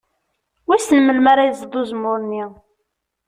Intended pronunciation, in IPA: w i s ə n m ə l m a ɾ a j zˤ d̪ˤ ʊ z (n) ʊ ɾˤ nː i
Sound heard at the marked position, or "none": m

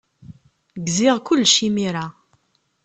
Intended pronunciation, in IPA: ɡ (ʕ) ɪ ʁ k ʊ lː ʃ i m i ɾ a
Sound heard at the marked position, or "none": z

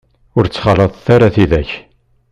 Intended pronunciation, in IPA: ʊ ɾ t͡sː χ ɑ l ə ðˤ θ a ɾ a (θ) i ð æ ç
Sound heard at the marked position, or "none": θ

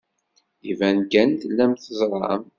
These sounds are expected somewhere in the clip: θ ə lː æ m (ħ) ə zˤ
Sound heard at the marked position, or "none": θ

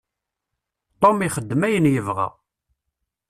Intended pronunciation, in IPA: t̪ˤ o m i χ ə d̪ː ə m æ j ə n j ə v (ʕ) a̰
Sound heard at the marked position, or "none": ʁ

